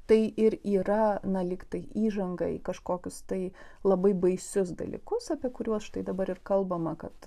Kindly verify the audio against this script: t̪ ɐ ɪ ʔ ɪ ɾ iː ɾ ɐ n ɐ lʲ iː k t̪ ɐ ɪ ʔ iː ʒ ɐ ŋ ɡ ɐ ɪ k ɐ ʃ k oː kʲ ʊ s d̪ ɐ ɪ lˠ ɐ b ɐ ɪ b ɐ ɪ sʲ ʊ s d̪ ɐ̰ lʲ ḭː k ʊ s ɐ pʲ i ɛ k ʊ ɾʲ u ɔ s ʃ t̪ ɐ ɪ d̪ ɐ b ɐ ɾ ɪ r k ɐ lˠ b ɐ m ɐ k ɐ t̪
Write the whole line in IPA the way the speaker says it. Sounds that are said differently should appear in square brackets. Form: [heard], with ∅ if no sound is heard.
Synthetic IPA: t̪ ɐ ɪ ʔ ɪ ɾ iː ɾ ɐ n ɐ lʲ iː k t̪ ɐ ɪ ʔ iː ʒ ɐ ŋ ɡ ɐ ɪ k ɐ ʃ k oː kʲ ʊ s [t̪] ɐ ɪ lˠ ɐ b ɐ ɪ b ɐ ɪ sʲ ʊ s d̪ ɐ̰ lʲ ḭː k ʊ s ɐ pʲ i ɛ k ʊ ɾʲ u ɔ s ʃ t̪ ɐ ɪ d̪ ɐ b ɐ ɾ ɪ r k ɐ lˠ b ɐ m ɐ k ɐ t̪